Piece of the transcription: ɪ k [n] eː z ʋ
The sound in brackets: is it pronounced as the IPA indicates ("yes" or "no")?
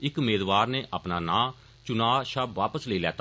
no